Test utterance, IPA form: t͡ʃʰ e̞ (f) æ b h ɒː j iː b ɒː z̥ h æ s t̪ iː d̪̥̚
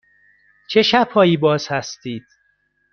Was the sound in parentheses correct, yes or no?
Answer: no